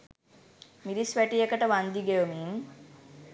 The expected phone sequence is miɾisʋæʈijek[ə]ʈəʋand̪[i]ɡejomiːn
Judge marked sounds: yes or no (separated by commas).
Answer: yes, yes